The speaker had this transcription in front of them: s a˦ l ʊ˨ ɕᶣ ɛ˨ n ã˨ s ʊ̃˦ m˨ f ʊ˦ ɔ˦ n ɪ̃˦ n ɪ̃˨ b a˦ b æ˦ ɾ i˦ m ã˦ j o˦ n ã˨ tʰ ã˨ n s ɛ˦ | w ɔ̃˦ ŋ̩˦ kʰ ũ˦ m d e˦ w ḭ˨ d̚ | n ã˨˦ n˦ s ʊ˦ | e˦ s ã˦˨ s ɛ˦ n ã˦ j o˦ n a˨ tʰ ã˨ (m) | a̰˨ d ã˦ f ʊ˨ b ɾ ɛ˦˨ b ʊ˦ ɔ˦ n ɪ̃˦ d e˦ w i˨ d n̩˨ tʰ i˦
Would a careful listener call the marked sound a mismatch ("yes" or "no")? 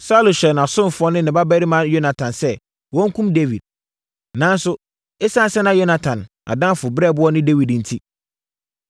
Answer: yes